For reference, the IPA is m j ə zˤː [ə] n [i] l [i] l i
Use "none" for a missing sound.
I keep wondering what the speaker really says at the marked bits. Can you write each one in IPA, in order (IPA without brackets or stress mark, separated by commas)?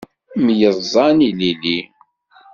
ɑ, i, i